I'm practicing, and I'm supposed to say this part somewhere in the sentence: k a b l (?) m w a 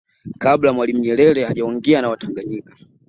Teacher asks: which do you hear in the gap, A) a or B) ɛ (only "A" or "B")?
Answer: A